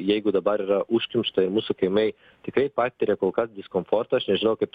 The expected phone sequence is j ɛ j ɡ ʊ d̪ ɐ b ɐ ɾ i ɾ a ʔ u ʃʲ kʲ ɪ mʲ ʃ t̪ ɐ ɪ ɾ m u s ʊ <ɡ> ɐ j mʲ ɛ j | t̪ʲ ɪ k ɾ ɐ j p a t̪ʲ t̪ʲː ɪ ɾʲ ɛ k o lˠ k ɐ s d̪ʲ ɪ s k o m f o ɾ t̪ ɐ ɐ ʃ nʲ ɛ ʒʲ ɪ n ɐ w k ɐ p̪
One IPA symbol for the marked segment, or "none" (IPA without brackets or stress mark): k